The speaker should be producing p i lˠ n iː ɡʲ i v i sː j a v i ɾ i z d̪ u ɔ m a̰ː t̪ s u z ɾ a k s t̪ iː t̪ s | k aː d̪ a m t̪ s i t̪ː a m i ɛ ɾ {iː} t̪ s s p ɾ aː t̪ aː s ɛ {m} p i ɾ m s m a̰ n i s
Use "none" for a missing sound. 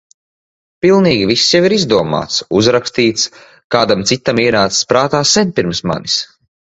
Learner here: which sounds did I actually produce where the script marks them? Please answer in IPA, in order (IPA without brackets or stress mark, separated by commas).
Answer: aː, n